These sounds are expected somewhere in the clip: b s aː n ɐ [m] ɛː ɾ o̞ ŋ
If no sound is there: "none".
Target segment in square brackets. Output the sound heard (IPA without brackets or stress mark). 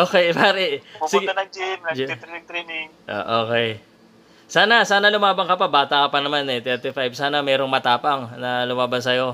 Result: m